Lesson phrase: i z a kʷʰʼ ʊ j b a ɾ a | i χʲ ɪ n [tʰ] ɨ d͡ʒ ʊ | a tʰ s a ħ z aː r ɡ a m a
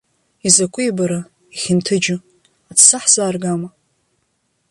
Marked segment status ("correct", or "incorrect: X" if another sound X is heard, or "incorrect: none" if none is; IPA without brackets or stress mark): correct